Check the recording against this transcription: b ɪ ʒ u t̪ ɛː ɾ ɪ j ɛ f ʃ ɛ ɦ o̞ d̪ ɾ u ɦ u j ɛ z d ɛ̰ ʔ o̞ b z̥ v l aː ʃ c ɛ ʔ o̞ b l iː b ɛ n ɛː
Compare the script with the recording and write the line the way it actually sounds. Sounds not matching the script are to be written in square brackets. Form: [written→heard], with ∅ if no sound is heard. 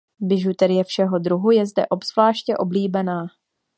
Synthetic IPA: b ɪ ʒ u t̪ [ɛː→ɛ] ɾ ɪ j ɛ f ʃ ɛ ɦ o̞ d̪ ɾ u ɦ u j ɛ z d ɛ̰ ʔ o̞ b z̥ v l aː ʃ c ɛ ʔ o̞ b l iː b ɛ n [ɛː→aː]